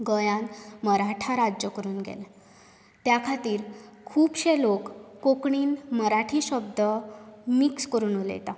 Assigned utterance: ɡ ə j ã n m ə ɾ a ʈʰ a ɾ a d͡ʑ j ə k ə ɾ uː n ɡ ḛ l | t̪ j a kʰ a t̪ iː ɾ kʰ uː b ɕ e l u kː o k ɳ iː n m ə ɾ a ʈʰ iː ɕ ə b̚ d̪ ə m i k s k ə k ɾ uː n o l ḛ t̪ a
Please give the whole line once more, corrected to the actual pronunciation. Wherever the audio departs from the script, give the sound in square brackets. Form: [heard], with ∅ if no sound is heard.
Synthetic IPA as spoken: ɡ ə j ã n m ə ɾ a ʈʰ a ɾ a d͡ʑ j ə k ə ɾ uː n ɡ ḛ l | t̪ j a kʰ a t̪ iː ɾ kʰ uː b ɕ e l [o] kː o k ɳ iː n m ə ɾ a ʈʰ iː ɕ ə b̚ d̪ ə m i k s k ə [∅] ɾ uː n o l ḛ t̪ a